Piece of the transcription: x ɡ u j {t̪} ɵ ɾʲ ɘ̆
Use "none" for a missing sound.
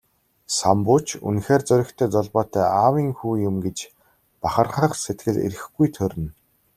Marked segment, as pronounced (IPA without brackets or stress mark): t̪ʰ